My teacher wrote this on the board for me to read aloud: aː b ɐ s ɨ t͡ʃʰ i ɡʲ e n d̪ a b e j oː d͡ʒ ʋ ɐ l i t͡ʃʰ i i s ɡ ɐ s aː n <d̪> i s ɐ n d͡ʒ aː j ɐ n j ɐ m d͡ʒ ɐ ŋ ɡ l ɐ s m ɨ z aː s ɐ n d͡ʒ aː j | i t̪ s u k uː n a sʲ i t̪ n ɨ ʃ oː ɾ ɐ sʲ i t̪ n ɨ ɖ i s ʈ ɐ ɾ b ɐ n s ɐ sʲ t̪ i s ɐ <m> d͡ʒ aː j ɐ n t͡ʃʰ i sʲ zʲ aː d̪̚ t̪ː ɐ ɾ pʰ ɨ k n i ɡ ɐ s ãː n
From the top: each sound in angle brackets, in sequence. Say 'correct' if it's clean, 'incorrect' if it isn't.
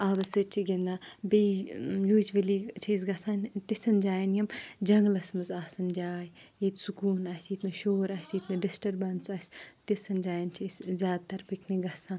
incorrect: t̪, incorrect: n

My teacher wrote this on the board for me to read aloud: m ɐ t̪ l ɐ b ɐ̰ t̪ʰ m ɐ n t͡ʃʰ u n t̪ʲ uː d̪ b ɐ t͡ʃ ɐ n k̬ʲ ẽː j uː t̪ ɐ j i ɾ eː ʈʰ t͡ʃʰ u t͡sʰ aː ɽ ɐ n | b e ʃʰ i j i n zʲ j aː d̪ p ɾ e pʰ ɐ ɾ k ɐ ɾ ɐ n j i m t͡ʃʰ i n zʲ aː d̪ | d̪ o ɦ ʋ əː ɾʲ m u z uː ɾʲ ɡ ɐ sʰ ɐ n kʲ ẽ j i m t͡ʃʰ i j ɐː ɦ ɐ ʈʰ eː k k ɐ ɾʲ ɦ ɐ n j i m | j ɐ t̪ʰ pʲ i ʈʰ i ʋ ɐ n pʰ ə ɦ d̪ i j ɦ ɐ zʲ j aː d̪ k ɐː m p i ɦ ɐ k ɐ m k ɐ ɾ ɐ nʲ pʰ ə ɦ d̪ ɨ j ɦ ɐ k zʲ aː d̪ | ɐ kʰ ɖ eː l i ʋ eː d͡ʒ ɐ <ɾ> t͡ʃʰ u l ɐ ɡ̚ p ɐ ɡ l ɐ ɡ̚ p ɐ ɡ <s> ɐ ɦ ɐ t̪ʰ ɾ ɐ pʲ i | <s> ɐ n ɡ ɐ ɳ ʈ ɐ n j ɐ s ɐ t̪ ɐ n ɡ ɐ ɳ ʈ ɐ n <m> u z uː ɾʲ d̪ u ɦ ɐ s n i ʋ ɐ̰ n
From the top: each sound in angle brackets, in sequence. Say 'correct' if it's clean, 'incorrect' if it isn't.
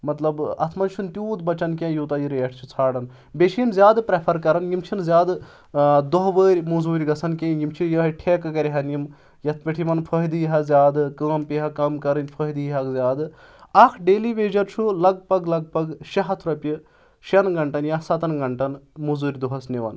correct, incorrect: ʃ, incorrect: ʃ, correct

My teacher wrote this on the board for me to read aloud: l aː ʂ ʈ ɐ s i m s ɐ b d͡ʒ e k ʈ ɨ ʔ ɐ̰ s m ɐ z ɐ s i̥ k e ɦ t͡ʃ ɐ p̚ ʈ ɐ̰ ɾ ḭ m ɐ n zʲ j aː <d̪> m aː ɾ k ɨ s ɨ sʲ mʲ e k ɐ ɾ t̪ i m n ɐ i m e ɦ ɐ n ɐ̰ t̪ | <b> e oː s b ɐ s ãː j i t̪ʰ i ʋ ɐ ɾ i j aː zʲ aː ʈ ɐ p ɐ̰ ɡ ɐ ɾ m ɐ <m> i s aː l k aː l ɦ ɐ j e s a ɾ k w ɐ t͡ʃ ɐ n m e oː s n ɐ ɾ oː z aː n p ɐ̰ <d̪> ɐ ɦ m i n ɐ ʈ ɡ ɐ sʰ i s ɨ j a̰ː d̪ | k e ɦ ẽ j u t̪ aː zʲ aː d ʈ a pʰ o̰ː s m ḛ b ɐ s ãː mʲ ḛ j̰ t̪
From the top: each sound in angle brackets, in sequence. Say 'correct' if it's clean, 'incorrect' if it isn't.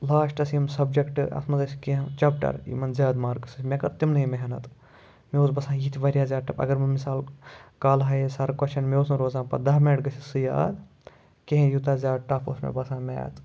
correct, incorrect: m, correct, correct

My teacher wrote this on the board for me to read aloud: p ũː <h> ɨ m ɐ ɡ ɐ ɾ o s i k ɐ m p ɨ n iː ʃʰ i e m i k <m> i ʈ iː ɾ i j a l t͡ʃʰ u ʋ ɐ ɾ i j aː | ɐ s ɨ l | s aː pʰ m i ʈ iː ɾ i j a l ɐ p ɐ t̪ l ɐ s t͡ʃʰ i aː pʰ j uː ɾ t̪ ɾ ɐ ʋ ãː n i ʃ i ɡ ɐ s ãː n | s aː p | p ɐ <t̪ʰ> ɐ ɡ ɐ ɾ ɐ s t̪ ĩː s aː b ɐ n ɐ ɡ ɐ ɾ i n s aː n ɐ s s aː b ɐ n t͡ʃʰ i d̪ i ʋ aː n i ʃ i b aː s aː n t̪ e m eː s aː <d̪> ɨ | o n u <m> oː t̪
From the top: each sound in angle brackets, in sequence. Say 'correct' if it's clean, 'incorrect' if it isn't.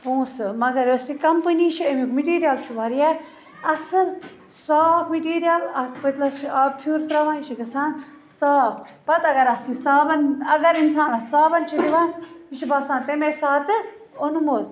incorrect: s, correct, incorrect: t̪, incorrect: t̪, correct

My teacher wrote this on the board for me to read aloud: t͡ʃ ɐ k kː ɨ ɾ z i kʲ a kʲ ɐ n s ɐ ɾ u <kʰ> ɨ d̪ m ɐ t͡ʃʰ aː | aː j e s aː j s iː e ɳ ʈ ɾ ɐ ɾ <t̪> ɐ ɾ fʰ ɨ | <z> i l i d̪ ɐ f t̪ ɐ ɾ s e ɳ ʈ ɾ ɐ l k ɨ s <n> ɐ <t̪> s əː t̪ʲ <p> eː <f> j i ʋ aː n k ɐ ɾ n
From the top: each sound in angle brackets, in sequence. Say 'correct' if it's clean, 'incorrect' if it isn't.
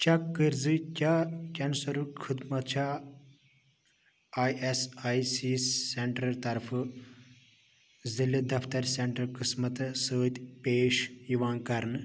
correct, correct, correct, incorrect: m, correct, correct, incorrect: ʃ

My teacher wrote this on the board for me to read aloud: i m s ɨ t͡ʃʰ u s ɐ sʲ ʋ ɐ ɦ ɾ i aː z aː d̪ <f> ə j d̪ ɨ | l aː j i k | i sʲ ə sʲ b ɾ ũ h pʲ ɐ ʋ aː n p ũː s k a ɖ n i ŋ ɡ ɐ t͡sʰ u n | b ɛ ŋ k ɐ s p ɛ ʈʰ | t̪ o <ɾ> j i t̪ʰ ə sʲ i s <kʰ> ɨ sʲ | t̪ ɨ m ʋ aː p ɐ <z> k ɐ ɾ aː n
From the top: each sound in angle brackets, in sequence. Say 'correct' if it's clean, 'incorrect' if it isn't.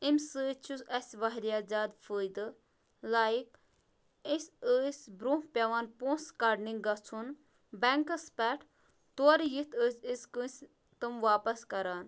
correct, correct, incorrect: k, incorrect: s

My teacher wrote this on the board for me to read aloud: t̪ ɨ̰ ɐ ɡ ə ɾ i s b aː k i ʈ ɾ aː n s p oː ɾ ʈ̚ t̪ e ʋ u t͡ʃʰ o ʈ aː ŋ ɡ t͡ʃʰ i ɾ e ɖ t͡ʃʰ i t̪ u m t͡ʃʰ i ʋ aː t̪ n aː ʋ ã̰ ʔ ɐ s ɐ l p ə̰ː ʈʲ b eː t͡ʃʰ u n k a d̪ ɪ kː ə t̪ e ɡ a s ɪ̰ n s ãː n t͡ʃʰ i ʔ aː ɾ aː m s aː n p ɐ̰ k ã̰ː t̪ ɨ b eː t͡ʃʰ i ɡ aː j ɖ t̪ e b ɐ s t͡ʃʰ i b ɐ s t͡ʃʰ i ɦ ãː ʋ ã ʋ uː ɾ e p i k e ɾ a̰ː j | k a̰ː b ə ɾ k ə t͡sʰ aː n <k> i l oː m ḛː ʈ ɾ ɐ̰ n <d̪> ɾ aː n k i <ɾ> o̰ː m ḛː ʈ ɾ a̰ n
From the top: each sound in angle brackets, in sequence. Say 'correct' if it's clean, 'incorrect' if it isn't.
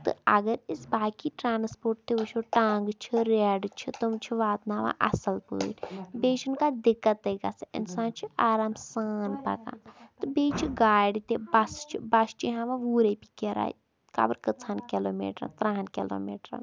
correct, incorrect: t̪, incorrect: l

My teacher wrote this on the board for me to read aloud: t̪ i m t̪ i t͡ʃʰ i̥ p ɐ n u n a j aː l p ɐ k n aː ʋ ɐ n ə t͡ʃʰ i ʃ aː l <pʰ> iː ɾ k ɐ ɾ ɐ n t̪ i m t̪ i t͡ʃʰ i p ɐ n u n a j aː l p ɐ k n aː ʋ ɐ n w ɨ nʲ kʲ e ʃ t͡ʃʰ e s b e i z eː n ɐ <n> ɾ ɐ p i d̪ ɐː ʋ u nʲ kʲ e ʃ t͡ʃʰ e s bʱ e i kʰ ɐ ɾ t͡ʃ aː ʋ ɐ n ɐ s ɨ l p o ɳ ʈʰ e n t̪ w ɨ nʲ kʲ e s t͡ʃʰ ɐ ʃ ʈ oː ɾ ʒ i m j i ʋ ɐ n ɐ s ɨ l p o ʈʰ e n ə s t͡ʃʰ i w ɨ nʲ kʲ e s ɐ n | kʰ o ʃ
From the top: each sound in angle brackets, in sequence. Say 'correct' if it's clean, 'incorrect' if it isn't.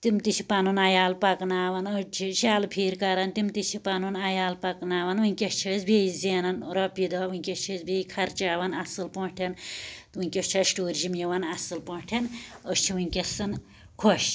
correct, correct

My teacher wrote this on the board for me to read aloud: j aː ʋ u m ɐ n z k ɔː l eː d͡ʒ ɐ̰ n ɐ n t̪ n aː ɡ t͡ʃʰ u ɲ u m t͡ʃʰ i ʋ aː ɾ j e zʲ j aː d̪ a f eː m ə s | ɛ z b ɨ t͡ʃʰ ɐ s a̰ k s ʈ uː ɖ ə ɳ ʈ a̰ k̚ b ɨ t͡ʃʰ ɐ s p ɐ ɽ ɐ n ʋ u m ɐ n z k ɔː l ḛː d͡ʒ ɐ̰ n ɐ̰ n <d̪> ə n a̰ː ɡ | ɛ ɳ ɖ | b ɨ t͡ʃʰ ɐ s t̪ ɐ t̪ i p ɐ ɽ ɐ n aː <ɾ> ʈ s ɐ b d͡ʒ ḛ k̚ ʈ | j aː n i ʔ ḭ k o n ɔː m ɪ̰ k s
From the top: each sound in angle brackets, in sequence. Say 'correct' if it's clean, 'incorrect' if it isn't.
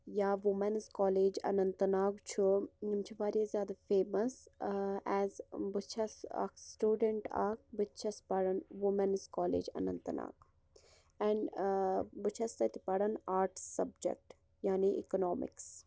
incorrect: t̪, correct

